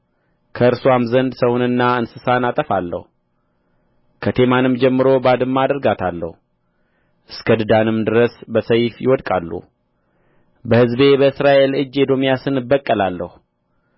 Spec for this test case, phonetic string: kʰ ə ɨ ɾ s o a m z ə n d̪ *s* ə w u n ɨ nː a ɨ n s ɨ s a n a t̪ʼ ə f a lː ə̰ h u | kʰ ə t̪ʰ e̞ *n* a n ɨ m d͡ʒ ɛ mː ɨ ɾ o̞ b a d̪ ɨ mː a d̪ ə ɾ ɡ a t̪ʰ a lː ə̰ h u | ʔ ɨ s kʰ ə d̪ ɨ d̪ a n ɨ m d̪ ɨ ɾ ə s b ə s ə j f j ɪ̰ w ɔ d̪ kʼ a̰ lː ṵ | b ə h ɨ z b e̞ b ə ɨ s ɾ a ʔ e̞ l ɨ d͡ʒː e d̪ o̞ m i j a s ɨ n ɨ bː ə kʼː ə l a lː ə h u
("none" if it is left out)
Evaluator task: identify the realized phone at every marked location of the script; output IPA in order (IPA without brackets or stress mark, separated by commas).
s, m